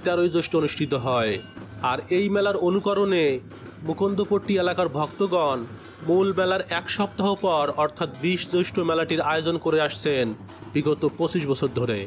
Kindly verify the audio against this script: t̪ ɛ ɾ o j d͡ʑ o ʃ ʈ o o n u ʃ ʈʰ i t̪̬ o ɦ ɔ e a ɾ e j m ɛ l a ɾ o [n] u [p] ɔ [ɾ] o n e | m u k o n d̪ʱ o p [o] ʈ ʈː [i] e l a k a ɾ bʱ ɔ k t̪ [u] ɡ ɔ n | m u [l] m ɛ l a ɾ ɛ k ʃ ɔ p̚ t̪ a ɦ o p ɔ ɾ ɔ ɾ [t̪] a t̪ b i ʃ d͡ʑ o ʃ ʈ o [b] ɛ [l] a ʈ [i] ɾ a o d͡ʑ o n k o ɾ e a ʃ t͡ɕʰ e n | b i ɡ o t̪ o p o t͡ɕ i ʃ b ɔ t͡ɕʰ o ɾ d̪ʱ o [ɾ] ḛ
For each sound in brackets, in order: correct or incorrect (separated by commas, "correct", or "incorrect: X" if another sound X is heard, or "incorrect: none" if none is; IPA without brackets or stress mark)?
correct, incorrect: k, correct, correct, correct, incorrect: o, correct, incorrect: t̪ʰ, incorrect: m, correct, correct, correct